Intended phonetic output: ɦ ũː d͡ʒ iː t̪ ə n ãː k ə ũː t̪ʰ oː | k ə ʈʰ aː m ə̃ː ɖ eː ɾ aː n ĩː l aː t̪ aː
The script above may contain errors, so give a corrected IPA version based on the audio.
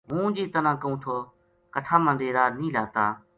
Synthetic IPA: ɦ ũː d͡ʒ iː t̪ ə n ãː k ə ũː t̪ʰ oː | k ə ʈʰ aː m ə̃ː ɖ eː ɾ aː n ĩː l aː t̪ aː